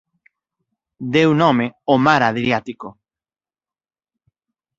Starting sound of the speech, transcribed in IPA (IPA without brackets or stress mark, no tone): d̪